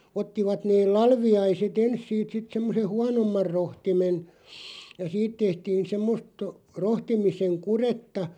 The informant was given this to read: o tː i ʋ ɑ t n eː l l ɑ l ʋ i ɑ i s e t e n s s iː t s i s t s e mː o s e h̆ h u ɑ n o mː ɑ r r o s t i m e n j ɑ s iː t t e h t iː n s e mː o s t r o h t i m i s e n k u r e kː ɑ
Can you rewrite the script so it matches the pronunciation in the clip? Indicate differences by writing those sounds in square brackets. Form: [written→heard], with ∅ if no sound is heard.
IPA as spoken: o tː i ʋ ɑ t n eː l l ɑ l ʋ i ɑ i s e t e n s s iː t s i [s→∅] t s e mː o s e h̆ h u ɑ n o mː ɑ r r o [s→h] t i m e n j ɑ s iː t t e h t iː n s e mː o s t r o h t i m i s e [n→ŋ] k u r e [kː→tː] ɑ